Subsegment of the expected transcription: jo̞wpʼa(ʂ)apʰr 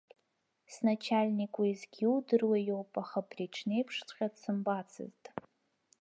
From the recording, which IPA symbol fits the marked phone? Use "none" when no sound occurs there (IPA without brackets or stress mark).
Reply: χ